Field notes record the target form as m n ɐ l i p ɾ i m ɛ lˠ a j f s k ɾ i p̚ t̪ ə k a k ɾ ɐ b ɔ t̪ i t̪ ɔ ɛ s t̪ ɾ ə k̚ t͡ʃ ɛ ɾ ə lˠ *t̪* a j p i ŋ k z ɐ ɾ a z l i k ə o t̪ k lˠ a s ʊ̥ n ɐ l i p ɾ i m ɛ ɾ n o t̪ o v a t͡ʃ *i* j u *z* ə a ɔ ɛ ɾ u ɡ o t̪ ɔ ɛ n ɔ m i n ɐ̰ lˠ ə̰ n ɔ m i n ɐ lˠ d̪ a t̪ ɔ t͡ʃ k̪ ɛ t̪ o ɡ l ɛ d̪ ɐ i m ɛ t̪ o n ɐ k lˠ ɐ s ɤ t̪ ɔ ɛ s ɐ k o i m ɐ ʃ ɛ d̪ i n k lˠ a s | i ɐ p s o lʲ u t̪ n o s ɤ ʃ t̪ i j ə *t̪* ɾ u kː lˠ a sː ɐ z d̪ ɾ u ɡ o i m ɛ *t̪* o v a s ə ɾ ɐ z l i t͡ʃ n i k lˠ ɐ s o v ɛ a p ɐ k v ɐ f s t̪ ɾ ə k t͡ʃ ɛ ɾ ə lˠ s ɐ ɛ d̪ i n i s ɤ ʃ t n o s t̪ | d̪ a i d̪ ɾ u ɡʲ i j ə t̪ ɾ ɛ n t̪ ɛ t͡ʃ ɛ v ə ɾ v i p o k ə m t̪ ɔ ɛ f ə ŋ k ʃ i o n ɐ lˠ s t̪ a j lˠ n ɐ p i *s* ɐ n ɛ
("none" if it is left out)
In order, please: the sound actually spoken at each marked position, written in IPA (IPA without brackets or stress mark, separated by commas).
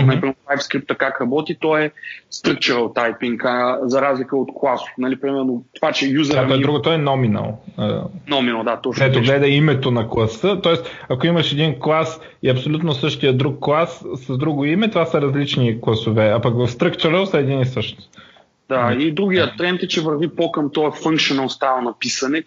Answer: t̪, ɛ, z, d̪, t̪, s